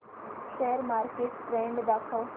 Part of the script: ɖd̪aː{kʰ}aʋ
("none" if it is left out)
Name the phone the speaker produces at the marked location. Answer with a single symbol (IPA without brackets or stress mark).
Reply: kʰ